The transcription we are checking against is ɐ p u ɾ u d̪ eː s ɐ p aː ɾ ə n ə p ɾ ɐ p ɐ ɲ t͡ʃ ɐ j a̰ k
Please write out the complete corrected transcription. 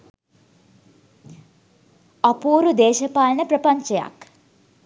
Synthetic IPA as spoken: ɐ p uː ɾ u d̪ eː ʃ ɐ p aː l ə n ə p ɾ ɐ p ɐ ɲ t͡ʃ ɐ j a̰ k

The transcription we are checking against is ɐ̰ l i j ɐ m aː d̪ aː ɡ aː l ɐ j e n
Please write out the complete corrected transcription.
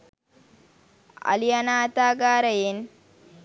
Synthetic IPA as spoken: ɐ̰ l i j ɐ n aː t̪ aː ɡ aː ɾ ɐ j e n

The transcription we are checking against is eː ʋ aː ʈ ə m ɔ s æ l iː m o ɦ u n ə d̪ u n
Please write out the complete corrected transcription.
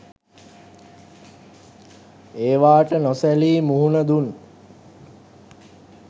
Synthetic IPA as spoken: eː ʋ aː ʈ ə n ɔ s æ l iː m u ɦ u n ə d̪ u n

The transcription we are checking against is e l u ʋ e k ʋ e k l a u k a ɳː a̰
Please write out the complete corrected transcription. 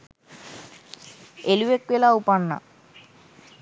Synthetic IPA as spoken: e l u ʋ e k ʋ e l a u p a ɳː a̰

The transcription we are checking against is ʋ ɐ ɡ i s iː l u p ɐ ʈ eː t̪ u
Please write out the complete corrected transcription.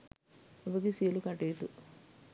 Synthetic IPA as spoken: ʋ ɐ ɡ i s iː l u k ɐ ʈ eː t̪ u

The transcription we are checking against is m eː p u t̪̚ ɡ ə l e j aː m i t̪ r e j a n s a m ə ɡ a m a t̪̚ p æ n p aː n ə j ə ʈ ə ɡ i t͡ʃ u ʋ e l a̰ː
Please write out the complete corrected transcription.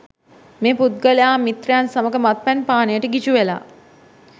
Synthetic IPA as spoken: m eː p u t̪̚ ɡ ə l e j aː m i t̪ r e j a n s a m ə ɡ ə m a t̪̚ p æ n p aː n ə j ə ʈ ə ɡ i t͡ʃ u ʋ e l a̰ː

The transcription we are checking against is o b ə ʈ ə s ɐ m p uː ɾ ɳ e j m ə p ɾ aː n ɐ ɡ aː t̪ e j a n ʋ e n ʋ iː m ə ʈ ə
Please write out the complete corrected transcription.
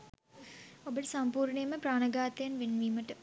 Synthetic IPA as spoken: o b ə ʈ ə s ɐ m p uː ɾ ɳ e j m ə p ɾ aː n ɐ ɡ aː t̪ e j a n ʋ e n ʋ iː m ə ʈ ə

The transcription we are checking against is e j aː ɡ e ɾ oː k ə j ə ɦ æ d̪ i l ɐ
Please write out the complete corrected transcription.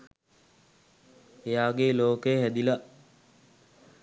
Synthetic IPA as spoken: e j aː ɡ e l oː k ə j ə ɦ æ d̪ i l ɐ

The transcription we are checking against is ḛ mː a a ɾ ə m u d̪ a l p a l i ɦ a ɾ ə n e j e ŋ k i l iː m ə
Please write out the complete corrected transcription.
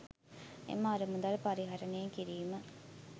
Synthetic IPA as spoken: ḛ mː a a ɾ ə m u d̪ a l p a ɾ i ɦ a ɾ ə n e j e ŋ k i ɾ iː m ə

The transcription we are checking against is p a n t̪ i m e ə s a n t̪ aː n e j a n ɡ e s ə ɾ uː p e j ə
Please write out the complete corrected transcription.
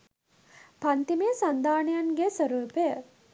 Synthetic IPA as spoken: p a n t̪ i m e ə s a n d̪ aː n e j a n ɡ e s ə ɾ uː p e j ə

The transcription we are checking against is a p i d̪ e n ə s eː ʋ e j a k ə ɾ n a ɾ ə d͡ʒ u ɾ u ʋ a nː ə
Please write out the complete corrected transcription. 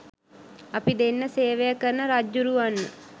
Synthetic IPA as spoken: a p i d̪ e nː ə s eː ʋ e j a k ə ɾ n ə ɾ a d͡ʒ u ɾ u ʋ a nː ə

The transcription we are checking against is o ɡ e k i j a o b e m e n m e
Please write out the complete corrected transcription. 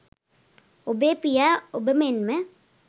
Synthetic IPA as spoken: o b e p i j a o b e m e n m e

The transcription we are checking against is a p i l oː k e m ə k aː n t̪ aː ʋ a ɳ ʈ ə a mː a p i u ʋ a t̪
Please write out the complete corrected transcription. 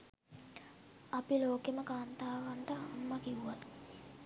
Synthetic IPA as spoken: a p i l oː k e m ə k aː n t̪ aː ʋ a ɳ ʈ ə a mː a k i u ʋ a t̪

